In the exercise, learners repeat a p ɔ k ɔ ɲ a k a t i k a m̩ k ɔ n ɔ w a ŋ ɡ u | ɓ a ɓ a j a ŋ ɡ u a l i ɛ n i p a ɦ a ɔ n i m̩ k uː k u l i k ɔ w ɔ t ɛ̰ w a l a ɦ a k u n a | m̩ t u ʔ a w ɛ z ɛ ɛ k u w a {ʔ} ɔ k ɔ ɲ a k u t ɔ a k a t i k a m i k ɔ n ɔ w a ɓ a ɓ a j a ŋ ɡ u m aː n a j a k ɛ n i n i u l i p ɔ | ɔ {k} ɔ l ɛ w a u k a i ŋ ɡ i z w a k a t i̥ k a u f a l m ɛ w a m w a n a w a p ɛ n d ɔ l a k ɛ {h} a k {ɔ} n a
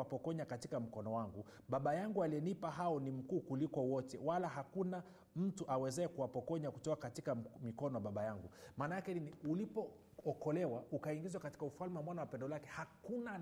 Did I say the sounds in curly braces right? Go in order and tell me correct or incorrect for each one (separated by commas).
incorrect, correct, correct, incorrect